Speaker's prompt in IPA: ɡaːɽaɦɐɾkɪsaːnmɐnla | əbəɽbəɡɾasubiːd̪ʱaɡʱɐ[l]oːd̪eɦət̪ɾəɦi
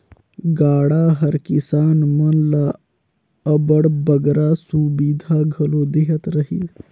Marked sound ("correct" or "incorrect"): correct